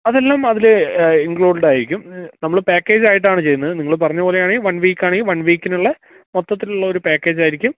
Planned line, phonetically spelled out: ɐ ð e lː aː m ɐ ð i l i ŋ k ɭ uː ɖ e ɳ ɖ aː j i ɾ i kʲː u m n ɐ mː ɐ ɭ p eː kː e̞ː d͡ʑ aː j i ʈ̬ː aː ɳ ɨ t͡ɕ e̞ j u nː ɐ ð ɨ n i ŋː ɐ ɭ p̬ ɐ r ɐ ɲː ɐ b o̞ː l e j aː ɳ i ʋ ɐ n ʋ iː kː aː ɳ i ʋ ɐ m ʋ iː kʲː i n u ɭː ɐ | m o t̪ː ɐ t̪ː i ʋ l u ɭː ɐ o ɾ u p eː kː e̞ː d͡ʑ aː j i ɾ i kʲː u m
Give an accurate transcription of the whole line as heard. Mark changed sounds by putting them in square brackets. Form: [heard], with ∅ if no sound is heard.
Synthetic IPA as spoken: ɐ ð e lː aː m ɐ ð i l i ŋ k ɭ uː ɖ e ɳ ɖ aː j i ɾ i kʲː u m n ɐ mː ɐ ɭ p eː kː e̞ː d͡ʑ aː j i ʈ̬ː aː ɳ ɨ t͡ɕ e̞ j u nː ɐ ð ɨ n i ŋː ɐ ɭ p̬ ɐ r ɐ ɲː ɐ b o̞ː l e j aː ɳ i ʋ ɐ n ʋ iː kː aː ɳ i ʋ ɐ [n] ʋ iː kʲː i n u ɭː ɐ | m o t̪ː ɐ t̪ː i [∅] l u ɭː ɐ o ɾ u p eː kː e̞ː d͡ʑ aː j i ɾ i kʲː u m

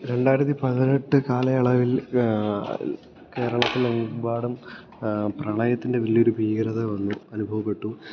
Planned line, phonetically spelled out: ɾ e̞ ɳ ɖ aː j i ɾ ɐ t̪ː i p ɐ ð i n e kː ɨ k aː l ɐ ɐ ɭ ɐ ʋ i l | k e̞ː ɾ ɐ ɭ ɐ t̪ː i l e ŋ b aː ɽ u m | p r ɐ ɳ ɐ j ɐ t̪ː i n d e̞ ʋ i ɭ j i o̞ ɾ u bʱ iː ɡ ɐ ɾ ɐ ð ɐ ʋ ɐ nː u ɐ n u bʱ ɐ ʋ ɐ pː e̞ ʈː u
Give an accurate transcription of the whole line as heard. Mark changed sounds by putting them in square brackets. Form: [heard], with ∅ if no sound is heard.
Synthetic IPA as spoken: ɾ e̞ ɳ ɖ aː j i ɾ ɐ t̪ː i p ɐ ð i n e [ʈː] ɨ k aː l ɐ ɐ ɭ ɐ ʋ i l | k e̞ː ɾ ɐ ɭ ɐ t̪ː i l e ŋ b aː ɽ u m | p r ɐ ɳ ɐ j ɐ t̪ː i n d e̞ ʋ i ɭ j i o̞ ɾ u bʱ iː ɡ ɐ ɾ ɐ ð ɐ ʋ ɐ nː u ɐ n u bʱ ɐ ʋ ɐ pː e̞ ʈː u

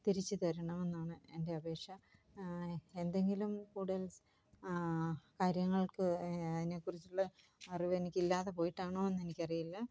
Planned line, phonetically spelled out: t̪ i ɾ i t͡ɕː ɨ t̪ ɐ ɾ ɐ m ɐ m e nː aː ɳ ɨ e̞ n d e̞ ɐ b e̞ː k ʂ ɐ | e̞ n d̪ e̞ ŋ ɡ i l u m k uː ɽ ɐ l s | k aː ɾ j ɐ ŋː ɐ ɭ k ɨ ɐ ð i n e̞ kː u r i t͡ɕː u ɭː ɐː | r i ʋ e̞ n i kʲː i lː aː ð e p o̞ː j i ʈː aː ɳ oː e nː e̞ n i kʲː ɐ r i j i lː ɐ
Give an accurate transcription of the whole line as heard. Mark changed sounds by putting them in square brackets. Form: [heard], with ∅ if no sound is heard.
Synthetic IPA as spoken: t̪ i ɾ i t͡ɕː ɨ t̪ ɐ ɾ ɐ [ɳ] ɐ m e nː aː ɳ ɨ e̞ n d e̞ ɐ b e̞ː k ʂ ɐ | e̞ n d̪ e̞ ŋ ɡ i l u m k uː ɽ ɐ l s | k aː ɾ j ɐ ŋː ɐ ɭ k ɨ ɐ ð i n e̞ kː u r i t͡ɕː u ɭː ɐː | r i ʋ e̞ n i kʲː i lː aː ð e p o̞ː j i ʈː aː ɳ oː e nː e̞ n i kʲː ɐ r i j i lː ɐ

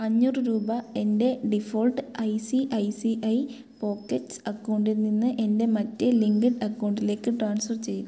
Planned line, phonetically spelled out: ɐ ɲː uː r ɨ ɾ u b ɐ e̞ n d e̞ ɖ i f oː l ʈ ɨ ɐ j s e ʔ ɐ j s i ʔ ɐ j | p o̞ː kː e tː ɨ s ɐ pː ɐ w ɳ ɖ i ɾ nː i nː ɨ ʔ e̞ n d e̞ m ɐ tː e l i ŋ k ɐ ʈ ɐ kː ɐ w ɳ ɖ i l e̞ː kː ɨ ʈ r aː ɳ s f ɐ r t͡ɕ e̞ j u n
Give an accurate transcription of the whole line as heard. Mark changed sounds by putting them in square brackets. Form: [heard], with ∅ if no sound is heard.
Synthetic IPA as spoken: ɐ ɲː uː r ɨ ɾ [uː] b ɐ e̞ n d e̞ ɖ i f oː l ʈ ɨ ɐ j s [i] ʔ ɐ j s i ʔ ɐ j | p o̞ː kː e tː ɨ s ɐ [kː] ɐ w ɳ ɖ i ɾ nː i nː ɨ ʔ e̞ n d e̞ m ɐ tː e l i ŋ [ɡ] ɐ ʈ ɐ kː ɐ w ɳ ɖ i l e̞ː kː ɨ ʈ r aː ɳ s f ɐ r t͡ɕ e̞ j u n

